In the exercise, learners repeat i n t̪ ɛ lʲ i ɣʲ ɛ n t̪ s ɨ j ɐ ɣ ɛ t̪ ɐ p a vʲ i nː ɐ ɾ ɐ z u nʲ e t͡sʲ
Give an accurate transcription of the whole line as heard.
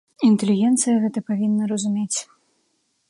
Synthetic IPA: i n t̪ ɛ lʲ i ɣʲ ɛ n t̪ s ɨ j ɐ ɣ ɛ t̪ ɐ p a vʲ i nː ɐ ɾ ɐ z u mʲ e t͡sʲ